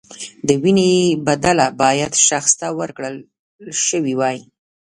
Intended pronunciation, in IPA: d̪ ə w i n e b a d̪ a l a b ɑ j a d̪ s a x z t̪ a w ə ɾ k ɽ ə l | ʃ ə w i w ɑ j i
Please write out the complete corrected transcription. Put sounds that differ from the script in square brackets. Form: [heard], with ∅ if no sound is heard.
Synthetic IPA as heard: d̪ ə w i n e b a d̪ a l a b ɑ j a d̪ [ʃ] a x [s] t̪ a w ə ɾ k ɽ ə l | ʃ ə w i w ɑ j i